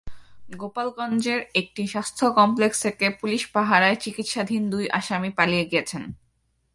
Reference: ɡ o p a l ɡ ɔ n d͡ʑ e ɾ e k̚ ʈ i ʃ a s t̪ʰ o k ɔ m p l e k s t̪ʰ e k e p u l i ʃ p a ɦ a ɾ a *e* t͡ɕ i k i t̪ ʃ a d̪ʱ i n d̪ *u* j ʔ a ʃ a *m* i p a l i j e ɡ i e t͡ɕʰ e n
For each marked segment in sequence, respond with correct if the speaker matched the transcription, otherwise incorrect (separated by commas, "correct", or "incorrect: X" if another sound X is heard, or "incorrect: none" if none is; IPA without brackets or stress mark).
correct, correct, correct